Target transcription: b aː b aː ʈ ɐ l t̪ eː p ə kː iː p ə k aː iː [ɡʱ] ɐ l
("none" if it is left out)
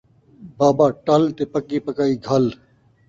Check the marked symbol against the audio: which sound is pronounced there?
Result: ɡʱ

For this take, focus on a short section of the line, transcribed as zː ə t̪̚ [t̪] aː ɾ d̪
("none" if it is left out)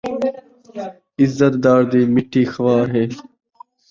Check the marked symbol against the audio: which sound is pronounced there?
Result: d̪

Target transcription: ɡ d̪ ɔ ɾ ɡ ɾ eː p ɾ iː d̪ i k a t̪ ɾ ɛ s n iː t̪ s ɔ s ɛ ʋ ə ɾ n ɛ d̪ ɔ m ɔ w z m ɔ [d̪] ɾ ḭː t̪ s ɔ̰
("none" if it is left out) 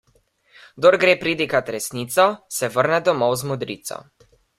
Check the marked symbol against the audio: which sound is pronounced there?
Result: d̪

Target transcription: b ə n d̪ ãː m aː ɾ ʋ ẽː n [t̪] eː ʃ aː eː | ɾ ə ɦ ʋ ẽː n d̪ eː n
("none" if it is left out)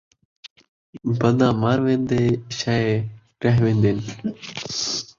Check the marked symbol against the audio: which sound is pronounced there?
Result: d̪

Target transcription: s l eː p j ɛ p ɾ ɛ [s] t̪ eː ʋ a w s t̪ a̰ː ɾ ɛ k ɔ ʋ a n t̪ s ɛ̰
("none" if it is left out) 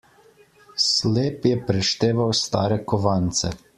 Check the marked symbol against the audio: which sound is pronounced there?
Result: ʃ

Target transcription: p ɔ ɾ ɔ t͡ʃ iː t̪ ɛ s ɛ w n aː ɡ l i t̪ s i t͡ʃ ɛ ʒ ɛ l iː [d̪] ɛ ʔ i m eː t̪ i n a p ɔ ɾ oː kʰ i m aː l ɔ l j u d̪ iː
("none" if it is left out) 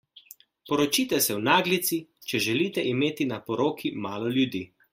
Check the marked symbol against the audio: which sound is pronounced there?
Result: t̪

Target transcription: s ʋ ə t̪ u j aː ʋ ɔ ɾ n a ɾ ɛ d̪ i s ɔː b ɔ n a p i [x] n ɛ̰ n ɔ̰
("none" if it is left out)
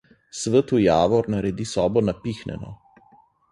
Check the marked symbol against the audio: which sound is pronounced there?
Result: x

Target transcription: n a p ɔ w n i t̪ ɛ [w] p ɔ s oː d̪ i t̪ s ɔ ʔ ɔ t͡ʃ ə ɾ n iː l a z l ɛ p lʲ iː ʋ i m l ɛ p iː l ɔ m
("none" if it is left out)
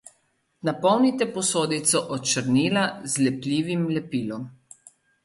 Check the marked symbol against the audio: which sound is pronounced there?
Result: none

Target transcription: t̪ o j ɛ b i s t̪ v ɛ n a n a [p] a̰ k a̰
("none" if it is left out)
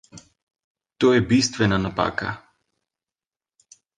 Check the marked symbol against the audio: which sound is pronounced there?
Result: p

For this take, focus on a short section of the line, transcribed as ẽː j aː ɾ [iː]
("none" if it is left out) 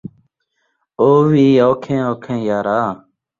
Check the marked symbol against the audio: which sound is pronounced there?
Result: aː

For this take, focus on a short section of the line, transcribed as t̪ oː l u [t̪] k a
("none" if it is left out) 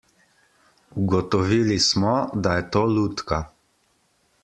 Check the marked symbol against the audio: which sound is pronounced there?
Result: t̪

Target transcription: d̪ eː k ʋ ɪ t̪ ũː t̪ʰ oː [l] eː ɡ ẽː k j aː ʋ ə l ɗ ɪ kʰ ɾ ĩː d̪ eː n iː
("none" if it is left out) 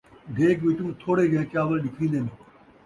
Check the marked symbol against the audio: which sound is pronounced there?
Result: ɽ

